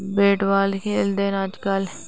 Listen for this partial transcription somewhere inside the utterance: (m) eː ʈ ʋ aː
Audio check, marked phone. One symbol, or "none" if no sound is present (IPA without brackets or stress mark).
b